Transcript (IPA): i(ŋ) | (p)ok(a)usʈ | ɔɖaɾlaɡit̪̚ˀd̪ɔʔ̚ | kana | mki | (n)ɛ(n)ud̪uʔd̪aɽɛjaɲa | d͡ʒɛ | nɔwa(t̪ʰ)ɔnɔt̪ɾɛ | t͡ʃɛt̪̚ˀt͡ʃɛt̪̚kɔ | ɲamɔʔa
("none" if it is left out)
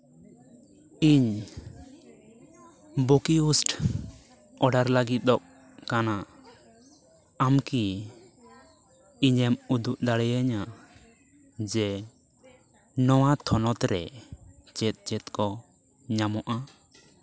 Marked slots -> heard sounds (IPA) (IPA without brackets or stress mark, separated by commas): ɲ, b, i, ɲ, m, t̪ʰ